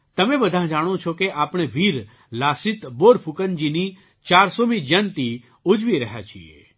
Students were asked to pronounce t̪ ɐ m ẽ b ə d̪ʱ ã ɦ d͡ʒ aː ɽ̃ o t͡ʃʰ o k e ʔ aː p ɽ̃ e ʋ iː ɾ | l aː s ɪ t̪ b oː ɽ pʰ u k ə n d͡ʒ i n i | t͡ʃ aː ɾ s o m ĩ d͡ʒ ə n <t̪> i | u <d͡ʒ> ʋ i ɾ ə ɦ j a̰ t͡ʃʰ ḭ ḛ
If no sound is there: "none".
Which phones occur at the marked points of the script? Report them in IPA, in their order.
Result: t̪, d͡ʒ

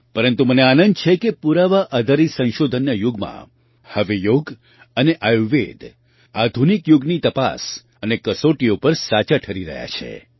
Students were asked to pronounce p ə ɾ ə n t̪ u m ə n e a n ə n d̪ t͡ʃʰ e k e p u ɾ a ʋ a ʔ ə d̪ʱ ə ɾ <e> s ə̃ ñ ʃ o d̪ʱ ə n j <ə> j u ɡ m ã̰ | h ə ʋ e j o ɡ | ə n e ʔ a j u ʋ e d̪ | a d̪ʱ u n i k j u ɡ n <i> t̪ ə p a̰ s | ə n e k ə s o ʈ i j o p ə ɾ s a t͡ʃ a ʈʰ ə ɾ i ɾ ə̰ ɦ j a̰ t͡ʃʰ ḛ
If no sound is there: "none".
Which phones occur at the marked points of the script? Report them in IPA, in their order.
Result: i, ə, i

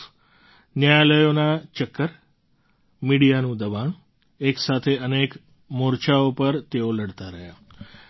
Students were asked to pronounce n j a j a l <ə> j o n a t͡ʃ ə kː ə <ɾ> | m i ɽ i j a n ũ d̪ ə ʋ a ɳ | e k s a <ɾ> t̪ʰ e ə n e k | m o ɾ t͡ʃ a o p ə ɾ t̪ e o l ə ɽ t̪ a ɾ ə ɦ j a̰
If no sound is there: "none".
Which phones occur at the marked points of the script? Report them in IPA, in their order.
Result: ə, ɾ, none

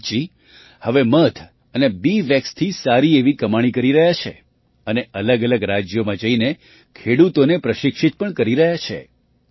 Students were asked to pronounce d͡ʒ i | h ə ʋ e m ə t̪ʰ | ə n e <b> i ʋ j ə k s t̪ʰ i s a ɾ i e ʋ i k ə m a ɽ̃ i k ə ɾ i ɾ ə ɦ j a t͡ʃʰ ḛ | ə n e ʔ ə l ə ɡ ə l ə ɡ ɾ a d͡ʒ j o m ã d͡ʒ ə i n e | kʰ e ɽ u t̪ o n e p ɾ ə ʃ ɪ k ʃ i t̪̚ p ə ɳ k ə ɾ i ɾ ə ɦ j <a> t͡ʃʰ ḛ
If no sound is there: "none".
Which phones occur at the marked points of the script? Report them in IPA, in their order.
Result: b, a

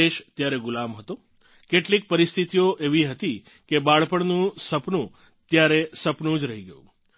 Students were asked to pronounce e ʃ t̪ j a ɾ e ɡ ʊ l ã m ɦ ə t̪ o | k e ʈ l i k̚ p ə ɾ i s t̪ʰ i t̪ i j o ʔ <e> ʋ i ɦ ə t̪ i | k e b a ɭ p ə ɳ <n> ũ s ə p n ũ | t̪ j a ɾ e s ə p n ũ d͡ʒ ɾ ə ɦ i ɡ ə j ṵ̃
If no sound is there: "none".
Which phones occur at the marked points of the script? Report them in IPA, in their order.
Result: e, n

